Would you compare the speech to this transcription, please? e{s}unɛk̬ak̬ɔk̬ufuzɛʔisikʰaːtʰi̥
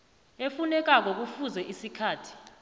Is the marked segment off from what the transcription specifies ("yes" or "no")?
yes